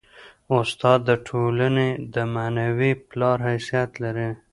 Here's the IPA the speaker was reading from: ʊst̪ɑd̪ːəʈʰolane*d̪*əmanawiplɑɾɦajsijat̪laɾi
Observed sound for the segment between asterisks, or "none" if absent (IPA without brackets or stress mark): d̪